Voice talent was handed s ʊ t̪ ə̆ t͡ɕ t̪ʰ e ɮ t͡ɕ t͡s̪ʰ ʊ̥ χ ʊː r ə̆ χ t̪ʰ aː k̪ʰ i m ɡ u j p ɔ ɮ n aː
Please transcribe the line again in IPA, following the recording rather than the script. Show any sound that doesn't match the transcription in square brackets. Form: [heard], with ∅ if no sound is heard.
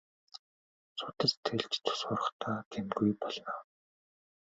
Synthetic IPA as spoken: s ʊ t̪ ə̆ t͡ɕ t̪ʰ e ɮ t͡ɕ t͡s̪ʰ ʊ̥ [s] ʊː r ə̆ χ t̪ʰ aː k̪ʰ [e] m ɡ u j p ɔ ɮ n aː

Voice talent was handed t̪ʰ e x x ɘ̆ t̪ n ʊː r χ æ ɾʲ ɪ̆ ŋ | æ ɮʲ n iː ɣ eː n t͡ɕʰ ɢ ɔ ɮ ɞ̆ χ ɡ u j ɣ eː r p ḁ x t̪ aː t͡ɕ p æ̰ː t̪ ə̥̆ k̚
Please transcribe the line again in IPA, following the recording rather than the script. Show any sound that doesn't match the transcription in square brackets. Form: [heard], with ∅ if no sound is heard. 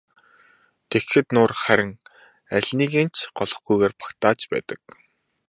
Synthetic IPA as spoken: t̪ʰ e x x ɘ̆ t̪ n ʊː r χ æ ɾʲ ɪ̆ ŋ | æ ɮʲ n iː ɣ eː n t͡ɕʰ ɢ ɔ ɮ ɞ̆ χ ɡ u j ɣ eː r p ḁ [k] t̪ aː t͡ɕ p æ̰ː t̪ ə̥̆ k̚

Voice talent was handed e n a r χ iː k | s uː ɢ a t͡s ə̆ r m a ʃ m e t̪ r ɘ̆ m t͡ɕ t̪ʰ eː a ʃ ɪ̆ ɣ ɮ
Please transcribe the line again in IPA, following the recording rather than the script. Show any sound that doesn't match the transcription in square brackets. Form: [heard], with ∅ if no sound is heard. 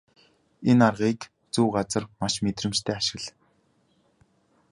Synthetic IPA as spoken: e n a r [ʁ] iː k | [t͡s] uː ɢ a t͡s ə̆ r m a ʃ m e t̪ r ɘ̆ m t͡ɕ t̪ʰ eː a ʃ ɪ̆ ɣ ɮ

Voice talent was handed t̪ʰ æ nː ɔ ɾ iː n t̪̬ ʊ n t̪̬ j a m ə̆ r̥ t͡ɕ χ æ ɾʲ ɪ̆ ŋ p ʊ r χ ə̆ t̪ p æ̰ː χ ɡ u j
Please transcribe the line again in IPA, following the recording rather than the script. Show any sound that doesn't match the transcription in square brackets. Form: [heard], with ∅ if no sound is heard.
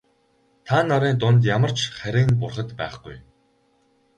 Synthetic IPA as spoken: t̪ʰ [a] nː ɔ ɾ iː n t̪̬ ʊ n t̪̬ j a m ə̆ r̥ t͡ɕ χ æ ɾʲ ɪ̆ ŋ p ʊ r χ ə̆ t̪ p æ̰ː χ ɡ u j

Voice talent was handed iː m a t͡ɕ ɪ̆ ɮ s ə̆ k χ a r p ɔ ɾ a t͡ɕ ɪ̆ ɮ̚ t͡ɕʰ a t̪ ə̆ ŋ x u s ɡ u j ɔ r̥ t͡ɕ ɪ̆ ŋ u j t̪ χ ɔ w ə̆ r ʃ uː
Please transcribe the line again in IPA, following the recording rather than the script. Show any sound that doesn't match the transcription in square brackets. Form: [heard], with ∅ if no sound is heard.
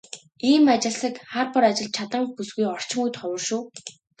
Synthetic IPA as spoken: iː m a t͡ɕ ɪ̆ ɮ s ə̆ k χ a r p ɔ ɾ a t͡ɕ ɪ̆ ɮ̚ t͡ɕʰ a t̪ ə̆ ŋ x u s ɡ u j ɔ r̥ t͡ɕ ɪ̆ ŋ u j t̪ χ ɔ w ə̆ r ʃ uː

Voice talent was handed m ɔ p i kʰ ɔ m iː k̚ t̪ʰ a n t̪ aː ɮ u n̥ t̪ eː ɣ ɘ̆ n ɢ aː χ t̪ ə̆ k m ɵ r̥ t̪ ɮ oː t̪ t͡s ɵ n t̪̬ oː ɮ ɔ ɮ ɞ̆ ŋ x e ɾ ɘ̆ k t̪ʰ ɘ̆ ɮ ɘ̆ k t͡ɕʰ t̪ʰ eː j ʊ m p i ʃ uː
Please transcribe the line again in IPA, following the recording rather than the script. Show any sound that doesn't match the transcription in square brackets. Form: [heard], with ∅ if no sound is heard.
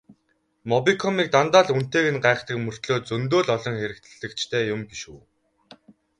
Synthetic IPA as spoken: m ɔ p i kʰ ɔ m iː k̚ [t̪] a n t̪ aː ɮ u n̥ t̪ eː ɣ ɘ̆ n ɢ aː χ t̪ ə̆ k m ɵ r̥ t̪ ɮ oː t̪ t͡s ɵ n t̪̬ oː ɮ ɔ ɮ ɞ̆ ŋ x e ɾ ɘ̆ k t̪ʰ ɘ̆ ɮ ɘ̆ k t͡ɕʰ t̪ʰ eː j ʊ m p i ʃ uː

